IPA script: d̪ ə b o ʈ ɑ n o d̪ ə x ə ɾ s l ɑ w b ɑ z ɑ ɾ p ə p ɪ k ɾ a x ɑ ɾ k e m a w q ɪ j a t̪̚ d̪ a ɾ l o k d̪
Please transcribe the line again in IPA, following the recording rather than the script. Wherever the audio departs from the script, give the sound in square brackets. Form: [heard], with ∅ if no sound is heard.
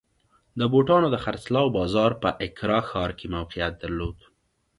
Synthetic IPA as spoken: d̪ ə b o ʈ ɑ n o d̪ ə x [a] ɾ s l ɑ w b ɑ z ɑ ɾ p ə [ʔ] ɪ k ɾ [ɑ] x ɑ ɾ k e m a w q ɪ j a t̪̚ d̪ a ɾ l o [∅] d̪